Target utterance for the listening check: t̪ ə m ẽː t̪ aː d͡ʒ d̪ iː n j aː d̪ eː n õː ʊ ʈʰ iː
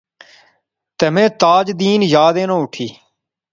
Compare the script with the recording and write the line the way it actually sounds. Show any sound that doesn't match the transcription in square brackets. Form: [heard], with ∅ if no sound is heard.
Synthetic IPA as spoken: t̪ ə m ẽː t̪ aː d͡ʒ d̪ iː n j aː d̪ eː n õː ʊ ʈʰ iː